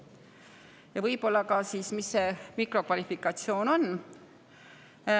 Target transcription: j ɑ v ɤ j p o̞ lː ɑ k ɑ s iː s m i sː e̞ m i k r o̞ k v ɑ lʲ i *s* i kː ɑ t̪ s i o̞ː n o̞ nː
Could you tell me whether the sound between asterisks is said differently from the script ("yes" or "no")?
yes